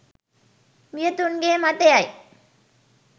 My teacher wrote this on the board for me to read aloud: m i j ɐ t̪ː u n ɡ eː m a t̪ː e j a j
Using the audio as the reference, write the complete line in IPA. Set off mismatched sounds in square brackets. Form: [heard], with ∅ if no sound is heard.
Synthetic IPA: m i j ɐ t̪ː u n ɡ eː m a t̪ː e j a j